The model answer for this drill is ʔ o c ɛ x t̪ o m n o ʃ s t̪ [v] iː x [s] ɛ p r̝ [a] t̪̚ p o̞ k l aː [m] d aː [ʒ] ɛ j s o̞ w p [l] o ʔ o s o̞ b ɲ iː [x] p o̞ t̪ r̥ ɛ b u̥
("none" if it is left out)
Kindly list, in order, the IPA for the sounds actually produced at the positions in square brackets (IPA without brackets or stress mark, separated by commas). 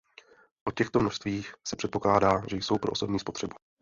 v, s, ɛ, none, ʒ, ɾ, s